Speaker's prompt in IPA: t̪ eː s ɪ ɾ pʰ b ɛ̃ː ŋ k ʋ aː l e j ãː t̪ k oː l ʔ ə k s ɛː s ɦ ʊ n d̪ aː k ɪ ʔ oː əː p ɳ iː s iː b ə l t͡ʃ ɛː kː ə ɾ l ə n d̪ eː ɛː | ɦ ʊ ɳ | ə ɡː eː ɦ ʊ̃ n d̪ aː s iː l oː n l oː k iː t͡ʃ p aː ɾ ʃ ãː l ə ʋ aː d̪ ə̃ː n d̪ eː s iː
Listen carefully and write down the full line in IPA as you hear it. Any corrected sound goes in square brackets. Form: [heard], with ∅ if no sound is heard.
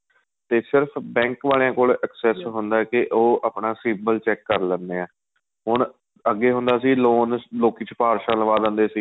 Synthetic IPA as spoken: t̪ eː s ɪ ɾ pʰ b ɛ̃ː ŋ k ʋ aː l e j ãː [∅] k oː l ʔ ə k s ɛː s ɦ ʊ n d̪ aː k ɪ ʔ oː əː p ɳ [aː] s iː b ə l t͡ʃ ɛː kː ə ɾ l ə n d̪ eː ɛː | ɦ ʊ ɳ | ə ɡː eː ɦ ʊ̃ n d̪ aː s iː l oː n l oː k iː t͡ʃ p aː ɾ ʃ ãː l ə ʋ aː d̪ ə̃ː n d̪ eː s iː

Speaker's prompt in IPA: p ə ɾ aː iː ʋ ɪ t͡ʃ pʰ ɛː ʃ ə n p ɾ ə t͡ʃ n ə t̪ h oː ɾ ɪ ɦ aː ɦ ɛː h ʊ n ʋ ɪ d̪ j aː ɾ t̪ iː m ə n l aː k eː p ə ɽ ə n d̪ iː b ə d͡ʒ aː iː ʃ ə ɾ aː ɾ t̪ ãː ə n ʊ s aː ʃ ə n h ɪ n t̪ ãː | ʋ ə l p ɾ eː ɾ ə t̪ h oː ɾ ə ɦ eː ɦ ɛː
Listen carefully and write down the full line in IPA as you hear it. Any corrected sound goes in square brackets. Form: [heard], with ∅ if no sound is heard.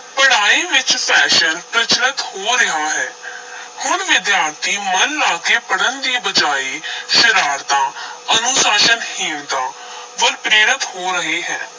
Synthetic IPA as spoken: p ə [ɽ] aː iː ʋ ɪ t͡ʃ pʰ ɛː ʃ ə n p ɾ ə t͡ʃ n ə t̪ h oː ɾ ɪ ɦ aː ɦ ɛː h ʊ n ʋ ɪ d̪ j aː ɾ t̪ iː m ə n l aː k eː p ə ɽ ə n d̪ iː b ə d͡ʒ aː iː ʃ ə ɾ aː ɾ t̪ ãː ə n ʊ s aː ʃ ə n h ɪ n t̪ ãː | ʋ ə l p ɾ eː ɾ ə t̪ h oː ɾ ə ɦ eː ɦ ɛː

